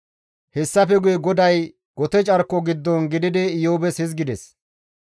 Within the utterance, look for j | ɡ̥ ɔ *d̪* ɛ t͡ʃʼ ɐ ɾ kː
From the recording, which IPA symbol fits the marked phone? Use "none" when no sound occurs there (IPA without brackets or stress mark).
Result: t̪